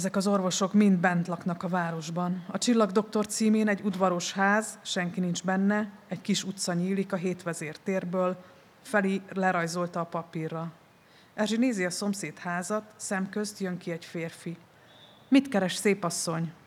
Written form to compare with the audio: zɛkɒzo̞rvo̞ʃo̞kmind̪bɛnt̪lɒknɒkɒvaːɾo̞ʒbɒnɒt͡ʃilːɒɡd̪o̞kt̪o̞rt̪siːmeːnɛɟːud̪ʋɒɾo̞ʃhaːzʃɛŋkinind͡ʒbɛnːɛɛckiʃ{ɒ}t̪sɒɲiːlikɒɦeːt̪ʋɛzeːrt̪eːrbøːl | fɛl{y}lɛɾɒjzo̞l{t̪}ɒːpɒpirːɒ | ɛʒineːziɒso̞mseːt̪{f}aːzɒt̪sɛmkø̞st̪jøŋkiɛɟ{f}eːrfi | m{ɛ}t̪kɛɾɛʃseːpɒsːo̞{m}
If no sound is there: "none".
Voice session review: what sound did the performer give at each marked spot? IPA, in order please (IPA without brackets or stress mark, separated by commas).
u, i, t̪, h, f, i, ɲ